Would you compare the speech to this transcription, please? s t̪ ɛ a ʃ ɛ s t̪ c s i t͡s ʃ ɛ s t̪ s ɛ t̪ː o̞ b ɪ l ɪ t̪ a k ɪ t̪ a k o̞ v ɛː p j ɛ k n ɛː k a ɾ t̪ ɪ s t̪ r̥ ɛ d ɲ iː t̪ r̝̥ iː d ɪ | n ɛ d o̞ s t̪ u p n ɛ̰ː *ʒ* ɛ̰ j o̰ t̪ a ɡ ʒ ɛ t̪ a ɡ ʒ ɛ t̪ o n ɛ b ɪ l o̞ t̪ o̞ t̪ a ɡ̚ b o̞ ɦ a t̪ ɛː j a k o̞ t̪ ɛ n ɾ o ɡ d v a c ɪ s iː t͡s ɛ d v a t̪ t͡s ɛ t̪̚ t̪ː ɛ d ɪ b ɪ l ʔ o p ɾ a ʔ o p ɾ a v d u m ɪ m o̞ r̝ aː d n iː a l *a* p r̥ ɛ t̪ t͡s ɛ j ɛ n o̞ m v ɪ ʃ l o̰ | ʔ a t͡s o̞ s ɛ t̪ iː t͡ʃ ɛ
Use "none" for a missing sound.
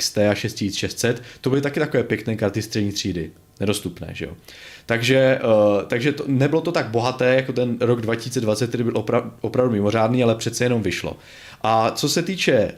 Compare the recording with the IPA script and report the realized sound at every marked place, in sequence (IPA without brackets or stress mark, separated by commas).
ʒ, ɛ